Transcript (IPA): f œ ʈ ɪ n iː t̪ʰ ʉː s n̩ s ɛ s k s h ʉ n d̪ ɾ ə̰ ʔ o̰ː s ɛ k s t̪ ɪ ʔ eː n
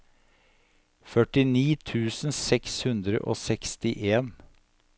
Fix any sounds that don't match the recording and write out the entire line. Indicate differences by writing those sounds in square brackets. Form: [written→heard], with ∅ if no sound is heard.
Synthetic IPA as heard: f œ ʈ ɪ n iː t̪ʰ ʉː s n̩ s ɛ [s→∅] k s h ʉ n d̪ ɾ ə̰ ʔ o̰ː s ɛ k s t̪ ɪ ʔ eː n